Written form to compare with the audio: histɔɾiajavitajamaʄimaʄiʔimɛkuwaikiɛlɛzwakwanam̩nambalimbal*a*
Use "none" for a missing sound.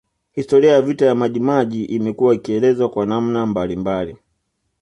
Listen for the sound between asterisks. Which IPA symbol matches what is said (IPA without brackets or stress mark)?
i